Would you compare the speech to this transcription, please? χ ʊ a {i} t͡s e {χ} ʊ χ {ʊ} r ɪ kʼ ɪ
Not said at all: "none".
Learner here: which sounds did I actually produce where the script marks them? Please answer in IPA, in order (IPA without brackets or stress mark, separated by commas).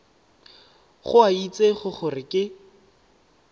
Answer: i, χ, ʊ